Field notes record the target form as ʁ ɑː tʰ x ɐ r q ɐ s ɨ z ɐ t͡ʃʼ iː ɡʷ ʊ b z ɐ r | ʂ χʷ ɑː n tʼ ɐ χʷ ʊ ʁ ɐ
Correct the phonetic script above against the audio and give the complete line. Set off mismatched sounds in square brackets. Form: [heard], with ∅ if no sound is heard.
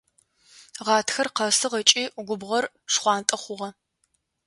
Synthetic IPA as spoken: ʁ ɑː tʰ x ɐ r q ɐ s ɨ [ʁ] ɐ t͡ʃʼ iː ɡʷ ʊ b [ʁ] ɐ r | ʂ χʷ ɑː n tʼ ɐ χʷ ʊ ʁ ɐ